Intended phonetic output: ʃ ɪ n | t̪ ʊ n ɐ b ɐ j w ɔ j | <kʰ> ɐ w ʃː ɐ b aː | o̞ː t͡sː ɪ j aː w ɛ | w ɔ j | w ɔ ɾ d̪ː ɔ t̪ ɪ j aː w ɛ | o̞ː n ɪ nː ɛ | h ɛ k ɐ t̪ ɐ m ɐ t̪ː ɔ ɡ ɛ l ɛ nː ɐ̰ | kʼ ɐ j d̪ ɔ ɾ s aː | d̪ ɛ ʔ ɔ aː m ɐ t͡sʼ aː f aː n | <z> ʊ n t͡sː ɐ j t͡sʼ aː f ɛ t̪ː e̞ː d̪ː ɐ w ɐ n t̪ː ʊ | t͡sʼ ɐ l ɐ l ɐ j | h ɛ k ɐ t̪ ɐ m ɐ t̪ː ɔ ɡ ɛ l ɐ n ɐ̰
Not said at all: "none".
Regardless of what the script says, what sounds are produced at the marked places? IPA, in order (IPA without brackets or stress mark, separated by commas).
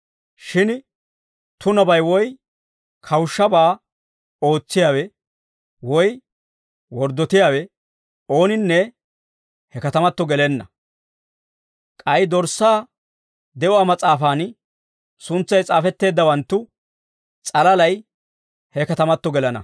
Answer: kʰ, s